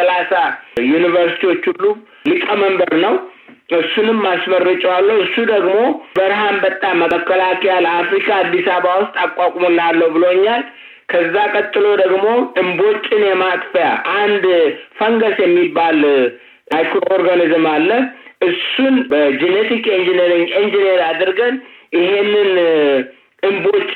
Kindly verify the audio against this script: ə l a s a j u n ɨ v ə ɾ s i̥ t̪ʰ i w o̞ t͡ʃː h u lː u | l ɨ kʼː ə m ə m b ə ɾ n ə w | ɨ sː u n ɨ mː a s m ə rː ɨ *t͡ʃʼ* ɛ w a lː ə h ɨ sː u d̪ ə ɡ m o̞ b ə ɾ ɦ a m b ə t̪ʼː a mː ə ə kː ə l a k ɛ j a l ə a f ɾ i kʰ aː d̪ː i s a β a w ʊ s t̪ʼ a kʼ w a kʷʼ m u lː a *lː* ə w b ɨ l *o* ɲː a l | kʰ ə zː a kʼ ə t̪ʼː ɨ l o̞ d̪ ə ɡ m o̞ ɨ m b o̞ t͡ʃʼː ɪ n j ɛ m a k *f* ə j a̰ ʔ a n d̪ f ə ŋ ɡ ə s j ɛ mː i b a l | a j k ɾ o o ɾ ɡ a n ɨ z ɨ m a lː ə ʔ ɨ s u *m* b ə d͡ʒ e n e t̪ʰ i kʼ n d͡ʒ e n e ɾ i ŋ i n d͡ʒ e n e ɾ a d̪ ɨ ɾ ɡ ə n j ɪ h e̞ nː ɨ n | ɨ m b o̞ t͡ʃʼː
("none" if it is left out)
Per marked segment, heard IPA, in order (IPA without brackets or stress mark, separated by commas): t͡ʃʼ, lː, o, f, n